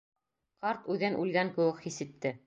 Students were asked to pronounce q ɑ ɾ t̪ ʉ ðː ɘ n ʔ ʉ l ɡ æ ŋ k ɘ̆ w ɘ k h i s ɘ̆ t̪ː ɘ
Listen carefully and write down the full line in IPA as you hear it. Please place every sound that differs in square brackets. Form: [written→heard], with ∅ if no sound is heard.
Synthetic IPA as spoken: q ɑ ɾ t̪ ʉ [ðː→ð] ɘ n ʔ ʉ l ɡ æ ŋ k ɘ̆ w ɘ k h i s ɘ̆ t̪ː ɘ